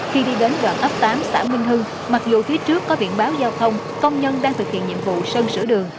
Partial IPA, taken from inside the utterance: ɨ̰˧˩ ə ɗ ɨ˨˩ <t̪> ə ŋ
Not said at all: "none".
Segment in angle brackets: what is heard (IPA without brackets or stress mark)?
none